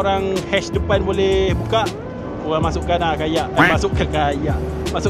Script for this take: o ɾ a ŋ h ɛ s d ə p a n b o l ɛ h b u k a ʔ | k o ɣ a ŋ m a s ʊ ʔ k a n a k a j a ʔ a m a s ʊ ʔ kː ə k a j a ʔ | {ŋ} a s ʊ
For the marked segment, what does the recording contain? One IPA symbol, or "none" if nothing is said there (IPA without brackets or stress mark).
m